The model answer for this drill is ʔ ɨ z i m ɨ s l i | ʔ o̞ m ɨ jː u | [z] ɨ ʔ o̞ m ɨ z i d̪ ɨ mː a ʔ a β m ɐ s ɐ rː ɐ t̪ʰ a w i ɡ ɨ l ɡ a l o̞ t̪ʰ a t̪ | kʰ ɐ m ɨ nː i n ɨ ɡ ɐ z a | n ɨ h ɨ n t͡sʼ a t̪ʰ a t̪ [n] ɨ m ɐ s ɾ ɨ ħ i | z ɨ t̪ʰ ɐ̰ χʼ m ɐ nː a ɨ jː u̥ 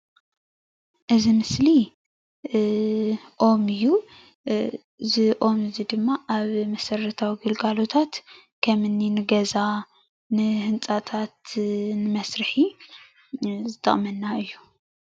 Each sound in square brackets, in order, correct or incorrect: correct, correct

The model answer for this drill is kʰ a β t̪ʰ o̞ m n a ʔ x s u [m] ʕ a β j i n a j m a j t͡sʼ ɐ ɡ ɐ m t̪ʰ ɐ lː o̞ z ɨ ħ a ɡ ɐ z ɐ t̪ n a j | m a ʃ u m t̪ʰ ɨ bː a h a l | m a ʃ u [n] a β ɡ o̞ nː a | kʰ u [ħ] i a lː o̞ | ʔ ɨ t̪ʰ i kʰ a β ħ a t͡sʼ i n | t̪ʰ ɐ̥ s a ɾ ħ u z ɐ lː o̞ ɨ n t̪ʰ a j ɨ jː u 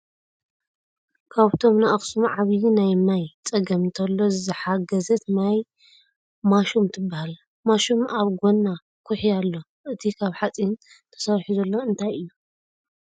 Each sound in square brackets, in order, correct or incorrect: correct, incorrect: m, correct

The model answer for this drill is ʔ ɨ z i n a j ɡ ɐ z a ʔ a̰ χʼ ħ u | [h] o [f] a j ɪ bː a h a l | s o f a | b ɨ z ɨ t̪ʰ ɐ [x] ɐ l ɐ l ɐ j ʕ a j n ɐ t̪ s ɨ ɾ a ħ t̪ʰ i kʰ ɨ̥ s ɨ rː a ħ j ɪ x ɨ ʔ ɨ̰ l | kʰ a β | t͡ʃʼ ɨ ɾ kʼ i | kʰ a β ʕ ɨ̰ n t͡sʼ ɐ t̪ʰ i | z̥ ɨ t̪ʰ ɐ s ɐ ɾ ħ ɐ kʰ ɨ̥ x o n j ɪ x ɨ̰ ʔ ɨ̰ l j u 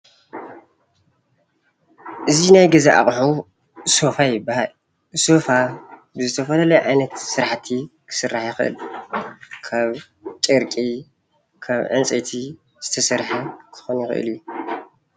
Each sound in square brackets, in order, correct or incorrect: incorrect: s, correct, incorrect: f

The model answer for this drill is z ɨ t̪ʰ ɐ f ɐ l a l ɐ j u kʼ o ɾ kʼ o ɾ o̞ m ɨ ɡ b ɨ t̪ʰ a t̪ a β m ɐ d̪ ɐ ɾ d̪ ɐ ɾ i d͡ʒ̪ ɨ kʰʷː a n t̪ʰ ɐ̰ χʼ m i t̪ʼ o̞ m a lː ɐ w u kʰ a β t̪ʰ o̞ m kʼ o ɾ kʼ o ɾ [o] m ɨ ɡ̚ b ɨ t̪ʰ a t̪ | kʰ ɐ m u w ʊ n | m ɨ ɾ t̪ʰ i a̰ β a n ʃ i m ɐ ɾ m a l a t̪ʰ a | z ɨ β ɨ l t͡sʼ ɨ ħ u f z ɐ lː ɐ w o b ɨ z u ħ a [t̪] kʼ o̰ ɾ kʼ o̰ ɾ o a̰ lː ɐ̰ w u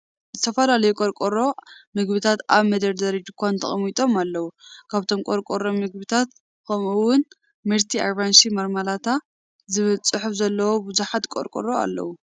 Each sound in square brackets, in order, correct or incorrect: correct, correct

